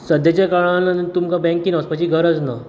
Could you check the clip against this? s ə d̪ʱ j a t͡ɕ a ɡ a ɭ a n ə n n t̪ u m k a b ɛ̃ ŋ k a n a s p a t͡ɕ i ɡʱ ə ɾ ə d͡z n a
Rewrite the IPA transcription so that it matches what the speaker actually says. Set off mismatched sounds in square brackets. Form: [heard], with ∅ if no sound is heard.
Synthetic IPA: s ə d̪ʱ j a t͡ɕ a [k] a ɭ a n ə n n t̪ u m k a b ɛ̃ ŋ k [i] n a s p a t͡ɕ i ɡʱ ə ɾ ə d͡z n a